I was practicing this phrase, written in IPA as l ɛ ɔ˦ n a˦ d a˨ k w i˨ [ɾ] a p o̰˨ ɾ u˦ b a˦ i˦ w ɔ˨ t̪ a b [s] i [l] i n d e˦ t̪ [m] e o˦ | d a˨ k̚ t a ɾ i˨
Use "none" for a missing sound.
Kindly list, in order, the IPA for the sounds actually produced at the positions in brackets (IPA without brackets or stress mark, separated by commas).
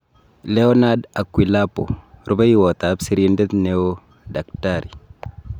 l, s, ɾ, n